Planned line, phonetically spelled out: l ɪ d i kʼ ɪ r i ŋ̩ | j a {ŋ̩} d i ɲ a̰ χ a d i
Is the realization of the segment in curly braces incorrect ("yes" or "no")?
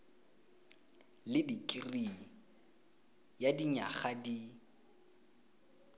yes